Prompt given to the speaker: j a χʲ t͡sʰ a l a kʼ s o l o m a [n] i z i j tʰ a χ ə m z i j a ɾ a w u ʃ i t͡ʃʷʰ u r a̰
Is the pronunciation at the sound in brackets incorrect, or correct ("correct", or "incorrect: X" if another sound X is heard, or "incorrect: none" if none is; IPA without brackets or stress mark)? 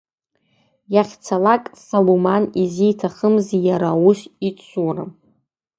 correct